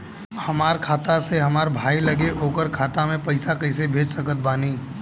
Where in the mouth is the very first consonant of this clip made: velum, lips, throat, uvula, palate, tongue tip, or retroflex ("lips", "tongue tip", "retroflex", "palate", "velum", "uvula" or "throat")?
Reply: throat